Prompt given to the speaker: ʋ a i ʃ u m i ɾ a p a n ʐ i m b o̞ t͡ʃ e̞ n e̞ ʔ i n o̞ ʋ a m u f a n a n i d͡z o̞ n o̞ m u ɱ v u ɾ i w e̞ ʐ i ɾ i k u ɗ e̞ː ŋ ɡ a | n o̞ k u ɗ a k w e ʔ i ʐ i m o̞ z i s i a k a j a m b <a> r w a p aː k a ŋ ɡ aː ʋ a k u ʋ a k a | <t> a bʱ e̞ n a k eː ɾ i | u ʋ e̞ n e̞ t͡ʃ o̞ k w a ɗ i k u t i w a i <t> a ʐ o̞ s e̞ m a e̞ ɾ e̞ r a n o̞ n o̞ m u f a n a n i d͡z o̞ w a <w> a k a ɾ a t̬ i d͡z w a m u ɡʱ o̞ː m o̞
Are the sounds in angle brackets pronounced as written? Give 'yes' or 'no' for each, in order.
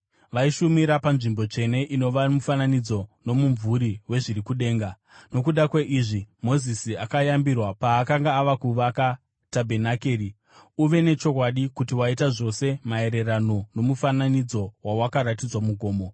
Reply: no, yes, yes, yes

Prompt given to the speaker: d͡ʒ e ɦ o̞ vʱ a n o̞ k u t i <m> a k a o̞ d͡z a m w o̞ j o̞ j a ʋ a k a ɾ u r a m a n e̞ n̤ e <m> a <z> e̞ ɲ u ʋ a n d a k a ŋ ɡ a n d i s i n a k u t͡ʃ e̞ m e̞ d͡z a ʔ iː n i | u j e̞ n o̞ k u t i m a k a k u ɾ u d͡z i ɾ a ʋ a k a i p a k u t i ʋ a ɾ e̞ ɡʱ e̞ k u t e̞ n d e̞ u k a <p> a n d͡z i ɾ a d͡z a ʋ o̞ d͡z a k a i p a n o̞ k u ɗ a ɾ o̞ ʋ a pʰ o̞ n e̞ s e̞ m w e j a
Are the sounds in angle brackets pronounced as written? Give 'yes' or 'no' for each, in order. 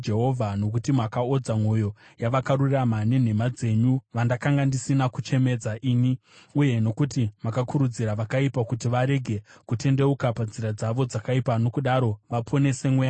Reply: yes, yes, no, yes

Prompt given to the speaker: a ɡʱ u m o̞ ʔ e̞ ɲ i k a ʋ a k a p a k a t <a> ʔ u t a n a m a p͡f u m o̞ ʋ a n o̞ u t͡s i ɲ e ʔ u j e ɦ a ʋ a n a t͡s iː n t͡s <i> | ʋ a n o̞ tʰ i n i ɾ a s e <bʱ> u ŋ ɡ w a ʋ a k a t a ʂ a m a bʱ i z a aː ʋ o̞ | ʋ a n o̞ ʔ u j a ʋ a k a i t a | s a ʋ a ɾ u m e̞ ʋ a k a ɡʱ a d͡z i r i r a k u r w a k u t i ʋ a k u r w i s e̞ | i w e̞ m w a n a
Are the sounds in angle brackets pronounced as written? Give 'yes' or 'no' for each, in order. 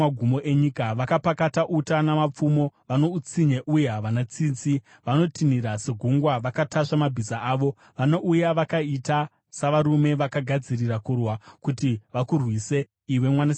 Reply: yes, yes, no

